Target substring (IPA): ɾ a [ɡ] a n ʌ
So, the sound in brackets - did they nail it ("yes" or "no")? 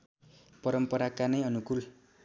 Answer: no